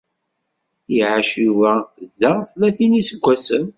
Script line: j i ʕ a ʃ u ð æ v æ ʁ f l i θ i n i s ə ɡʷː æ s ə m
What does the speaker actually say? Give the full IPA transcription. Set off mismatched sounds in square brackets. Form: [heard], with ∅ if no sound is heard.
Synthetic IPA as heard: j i ʕ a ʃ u [v] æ [ð] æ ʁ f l [æ] θ i n i s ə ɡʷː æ s ə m

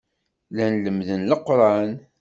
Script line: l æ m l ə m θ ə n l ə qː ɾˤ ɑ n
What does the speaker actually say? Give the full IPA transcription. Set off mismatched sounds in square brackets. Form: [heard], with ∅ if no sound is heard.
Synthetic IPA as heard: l æ [n] l ə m [ð] ə n l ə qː ɾˤ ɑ n

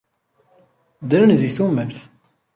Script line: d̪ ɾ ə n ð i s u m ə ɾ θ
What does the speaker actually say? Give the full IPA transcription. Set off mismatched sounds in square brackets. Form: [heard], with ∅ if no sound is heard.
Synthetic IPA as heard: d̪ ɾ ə n ð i [θ] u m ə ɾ θ

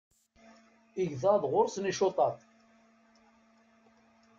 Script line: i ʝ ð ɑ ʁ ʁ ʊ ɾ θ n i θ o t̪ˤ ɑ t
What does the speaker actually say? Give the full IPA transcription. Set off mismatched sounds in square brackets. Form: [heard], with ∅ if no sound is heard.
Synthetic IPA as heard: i ʝ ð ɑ [ð] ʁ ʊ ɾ [s] n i [ʃ] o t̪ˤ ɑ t

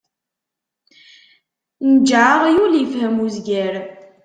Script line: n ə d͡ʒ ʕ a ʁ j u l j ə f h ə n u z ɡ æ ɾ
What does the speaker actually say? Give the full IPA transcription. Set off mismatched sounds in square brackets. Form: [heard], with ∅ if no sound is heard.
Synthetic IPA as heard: n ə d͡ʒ ʕ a ʁ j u l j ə f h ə [m] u z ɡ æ ɾ

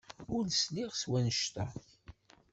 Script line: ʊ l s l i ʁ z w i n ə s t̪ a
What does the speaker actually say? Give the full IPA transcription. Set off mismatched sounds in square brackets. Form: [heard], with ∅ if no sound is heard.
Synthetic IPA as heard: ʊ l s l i ʁ [s] w [æ] n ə [ʃ] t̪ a

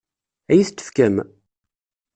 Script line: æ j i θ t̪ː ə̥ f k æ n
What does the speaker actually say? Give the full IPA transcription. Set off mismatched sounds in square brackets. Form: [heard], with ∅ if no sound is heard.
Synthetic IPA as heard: æ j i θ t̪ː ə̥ f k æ [m]

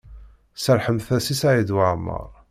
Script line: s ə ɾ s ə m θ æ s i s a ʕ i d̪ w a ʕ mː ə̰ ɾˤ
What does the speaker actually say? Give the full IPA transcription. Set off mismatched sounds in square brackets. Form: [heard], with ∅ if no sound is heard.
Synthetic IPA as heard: s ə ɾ [ħ] ə m θ æ s i s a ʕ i d̪ w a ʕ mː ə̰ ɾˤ

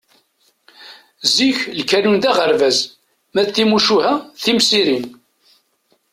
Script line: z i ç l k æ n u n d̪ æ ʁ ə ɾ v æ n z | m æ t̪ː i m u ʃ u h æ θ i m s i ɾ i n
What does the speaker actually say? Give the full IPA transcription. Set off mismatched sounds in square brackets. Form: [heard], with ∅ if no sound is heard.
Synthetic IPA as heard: z i ç l k æ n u n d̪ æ ʁ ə ɾ v æ [∅] z | m æ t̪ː i m u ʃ u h æ θ i m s i ɾ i n

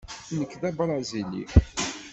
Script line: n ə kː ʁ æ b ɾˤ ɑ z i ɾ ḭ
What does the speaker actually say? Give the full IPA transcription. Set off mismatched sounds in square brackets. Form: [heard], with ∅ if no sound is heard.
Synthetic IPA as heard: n ə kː [ð] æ b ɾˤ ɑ z i [l] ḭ

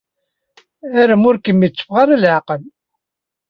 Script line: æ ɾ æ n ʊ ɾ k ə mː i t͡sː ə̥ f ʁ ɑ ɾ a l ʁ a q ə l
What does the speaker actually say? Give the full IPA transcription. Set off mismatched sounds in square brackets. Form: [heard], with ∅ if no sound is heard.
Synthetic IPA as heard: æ ɾ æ [m] ʊ ɾ k ə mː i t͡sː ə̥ f ʁ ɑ ɾ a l [ʕ] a q ə l

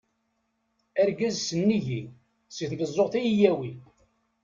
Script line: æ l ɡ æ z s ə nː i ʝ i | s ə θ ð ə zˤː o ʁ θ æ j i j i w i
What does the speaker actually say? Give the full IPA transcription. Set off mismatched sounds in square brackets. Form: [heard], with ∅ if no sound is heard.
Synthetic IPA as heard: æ [ɾ] ɡ æ z s ə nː i ʝ i | s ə θ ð ə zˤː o ʁ θ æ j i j [æ] w i

